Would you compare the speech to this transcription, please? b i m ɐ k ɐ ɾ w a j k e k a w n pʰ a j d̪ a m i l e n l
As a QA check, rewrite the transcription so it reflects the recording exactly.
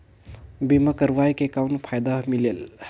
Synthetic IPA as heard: b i m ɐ k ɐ ɾ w a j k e k a w n pʰ a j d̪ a m i l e l